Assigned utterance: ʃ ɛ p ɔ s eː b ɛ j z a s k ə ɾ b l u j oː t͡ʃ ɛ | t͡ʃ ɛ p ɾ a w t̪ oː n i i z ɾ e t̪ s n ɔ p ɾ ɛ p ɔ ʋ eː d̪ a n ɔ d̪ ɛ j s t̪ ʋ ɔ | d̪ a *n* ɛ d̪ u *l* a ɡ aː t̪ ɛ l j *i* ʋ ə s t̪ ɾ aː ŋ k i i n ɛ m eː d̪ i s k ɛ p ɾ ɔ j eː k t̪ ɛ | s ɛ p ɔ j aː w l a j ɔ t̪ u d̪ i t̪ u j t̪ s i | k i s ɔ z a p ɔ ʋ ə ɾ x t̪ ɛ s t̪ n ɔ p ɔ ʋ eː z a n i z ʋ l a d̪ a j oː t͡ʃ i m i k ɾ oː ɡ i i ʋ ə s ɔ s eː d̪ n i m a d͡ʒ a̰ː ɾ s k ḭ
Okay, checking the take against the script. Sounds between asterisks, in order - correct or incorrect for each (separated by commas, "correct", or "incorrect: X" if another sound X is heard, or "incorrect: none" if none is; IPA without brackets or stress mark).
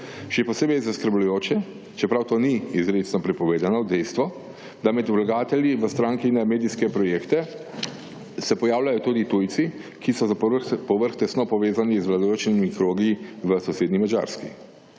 incorrect: m, correct, correct